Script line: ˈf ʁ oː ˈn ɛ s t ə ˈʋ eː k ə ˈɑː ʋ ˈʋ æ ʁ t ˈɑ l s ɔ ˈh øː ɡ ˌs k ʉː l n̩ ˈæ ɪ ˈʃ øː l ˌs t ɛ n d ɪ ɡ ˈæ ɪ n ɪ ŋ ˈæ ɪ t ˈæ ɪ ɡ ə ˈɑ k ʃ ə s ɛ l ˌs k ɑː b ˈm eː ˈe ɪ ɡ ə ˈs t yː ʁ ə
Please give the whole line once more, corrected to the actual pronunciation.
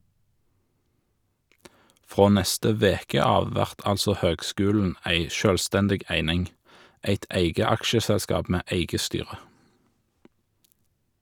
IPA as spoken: ˈf ʁ oː ˈn ɛ s t ə ˈʋ eː k ə ˈɑː ʋ ˈʋ æ ʁ t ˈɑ l s ɔ ˈh øː ɡ ˌs k ʉː l n̩ ˈæ ɪ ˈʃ øː l ˌs t ɛ n d ɪ ɡ ˈæ ɪ n ɪ ŋ ˈæ ɪ t ˈæ ɪ ɡ ə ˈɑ k ʃ ə s ɛ l ˌs k ɑː p ˈm eː ˈe ɪ ɡ ə ˈs t yː ʁ ə

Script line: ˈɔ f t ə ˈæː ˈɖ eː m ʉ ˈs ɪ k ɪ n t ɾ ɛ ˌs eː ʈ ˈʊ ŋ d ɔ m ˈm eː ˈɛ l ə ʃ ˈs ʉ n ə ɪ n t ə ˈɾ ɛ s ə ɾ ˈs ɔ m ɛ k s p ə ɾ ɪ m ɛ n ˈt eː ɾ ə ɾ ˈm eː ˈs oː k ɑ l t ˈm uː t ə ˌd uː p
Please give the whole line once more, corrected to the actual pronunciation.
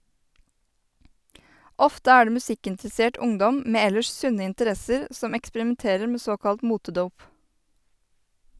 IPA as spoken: ˈɔ f t ə ˈæː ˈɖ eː m ʉ ˈs ɪ k ɪ n t ɾ ɛ ˌs eː ʈ ˈʊ ŋ d ɔ m ˈm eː ˈɛ l ə ʃ ˈs ʉ n ə ɪ n t ə ˈɾ ɛ s ə ɾ ˈs ɔ m ɛ k s p ə ɾ ɪ m ɛ n ˈt eː ɾ ə ɾ ˈm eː ˈs oː k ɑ l t ˈm uː t ə ˌd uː p

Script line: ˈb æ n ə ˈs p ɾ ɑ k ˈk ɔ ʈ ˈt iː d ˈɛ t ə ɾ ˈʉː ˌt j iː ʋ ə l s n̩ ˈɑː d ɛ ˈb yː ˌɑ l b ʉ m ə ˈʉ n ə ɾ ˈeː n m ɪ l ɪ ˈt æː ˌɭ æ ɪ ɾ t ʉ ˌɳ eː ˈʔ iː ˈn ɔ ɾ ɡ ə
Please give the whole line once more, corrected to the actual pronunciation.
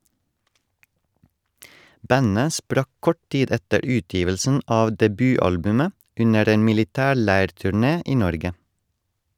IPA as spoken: ˈb æ n ə ˈs p ɾ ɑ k ˈk ɔ ʈ ˈt iː d ˈɛ t ə ɾ ˈʉː ˌt j iː ʋ ə l s n̩ ˈɑː d ɛ ˈb yː ˌɑ l b ʉ m ə ˈʉ n ə ɾ ˈeː n m ɪ l ɪ ˈt æː ˌɭ æ ɪ ɾ t ʉ ˌɳ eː ˈʔ iː ˈn ɔ ɾ ɡ ə

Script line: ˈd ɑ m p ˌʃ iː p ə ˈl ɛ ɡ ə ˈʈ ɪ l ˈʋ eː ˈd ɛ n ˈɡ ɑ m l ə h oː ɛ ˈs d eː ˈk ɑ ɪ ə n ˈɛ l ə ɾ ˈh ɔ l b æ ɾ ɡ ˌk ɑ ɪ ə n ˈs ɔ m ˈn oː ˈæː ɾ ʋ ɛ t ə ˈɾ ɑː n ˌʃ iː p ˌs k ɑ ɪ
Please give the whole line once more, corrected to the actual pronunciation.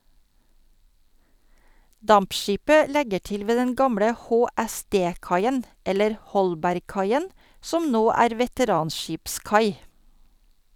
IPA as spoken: ˈd ɑ m p ˌʃ iː p ə ˈl ɛ ɡ ə ˈʈ ɪ l ˈʋ eː ˈd ɛ n ˈɡ ɑ m ɽ ə h oː æ ˈs d eː ˈk ɑ ɪ ə n ˈɛ l ə ɾ ˈh ɔ l b æ ɾ ɡ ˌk ɑ ɪ ə n ˈs ɔ m ˈn oː ˈæː ɾ ʋ ɛ t ə ˈɾ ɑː n ˌʃ iː p ˌs k ɑ ɪ

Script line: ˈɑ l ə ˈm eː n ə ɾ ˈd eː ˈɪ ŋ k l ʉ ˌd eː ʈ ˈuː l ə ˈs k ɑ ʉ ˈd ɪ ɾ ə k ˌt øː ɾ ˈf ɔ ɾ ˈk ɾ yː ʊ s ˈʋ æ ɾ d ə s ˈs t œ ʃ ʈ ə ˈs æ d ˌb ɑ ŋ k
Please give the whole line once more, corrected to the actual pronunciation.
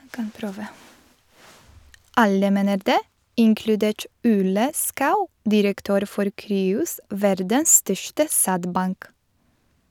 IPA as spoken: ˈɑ l ə ˈm eː n ə ɾ ˈd eː ˈɪ ŋ k l ʉ ˌd eː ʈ ˈuː l ə ˈs k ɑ ʉ ˈd ɪ ɾ ə k ˌt øː ɾ ˈf ɔ ɾ ˈk ɾ yː ʊ s ˈʋ æ ɾ d ə s ˈs t œ ʃ ʈ ə ˈs æ d ˌb ɑ ŋ k

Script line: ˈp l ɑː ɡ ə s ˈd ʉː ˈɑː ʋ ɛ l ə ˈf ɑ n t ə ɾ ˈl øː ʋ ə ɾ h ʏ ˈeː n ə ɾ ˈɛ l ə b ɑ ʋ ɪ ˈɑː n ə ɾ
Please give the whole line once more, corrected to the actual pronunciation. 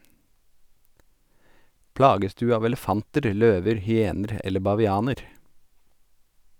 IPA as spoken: ˈp l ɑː ɡ ə s ˈd ʉː ˈɑː ʋ ɛ l ə ˈf ɑ n t ə ɾ ˈl øː ʋ ə ɾ h ʏ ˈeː n ə ɾ ˈɛ l ə b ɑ ʋ ɪ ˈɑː n ə ɾ

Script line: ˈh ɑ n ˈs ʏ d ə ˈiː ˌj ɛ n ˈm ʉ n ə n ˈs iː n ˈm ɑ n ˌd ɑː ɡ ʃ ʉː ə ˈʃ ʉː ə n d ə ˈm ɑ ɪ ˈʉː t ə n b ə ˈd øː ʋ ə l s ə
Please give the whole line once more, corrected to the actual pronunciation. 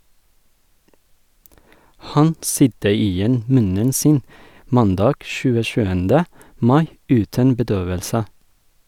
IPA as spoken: ˈh ɑ n ˈs ʏ d ə ˈiː ˌj ɛ n ˈm ʉ n ə n ˈs iː n ˈm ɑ n ˌd ɑː ɡ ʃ ʉː ə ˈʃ ʉː ə n d ə ˈm ɑ ɪ ˈʉː t ə n b ə ˈd øː ʋ ə l s ə

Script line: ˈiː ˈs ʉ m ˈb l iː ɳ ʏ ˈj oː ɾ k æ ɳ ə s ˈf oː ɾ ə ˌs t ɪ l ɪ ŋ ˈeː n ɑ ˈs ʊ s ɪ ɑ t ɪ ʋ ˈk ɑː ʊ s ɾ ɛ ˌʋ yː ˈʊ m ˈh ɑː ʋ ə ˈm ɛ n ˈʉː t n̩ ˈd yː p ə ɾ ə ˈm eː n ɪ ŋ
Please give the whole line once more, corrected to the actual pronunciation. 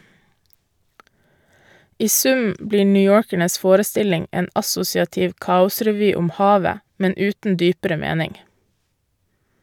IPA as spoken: ˈiː ˈs ʉ m ˈb l iː ɳ ʏ ˈj oː ɾ k æ ɳ ə s ˈf oː ɾ ə ˌs t ɪ l ɪ ŋ ˈeː n ɑ ˈs ʊ s ɪ ɑ t ɪ ʋ ˈk ɑː ʊ s ɾ ɛ ˌʋ yː ˈʊ m ˈh ɑː ʋ ə ˈm ɛ n ˈʉː t n̩ ˈd yː p ə ɾ ə ˈm eː n ɪ ŋ

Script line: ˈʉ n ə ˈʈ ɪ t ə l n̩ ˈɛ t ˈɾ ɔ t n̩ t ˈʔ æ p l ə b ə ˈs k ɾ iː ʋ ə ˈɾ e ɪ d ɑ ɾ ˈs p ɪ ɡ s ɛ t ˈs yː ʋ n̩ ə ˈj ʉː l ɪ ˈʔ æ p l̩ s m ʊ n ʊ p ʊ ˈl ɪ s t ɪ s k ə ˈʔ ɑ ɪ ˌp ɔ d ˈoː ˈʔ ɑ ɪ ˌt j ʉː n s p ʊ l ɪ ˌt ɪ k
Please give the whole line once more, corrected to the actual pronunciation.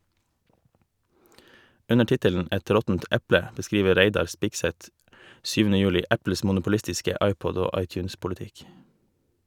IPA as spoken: ˈʉ n ə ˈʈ ɪ t ə l n̩ ˈɛ t ˈɾ ɔ t n̩ t ˈʔ æ p l ə b ə ˈs k ɾ iː ʋ ə ˈɾ æ ɪ d ɑ ɾ ˈs p ɪ ɡ s ɛ t ˈs yː ʋ n̩ ə ˈj ʉː l ɪ ˈʔ æ p l̩ s m ʊ n ʊ p ʊ ˈl ɪ s t ɪ s k ə ˈʔ ɑ ɪ ˌp ɔ d ˈoː ˈʔ ɑ ɪ ˌt j ʉː n s p ʊ l ɪ ˌt ɪ k

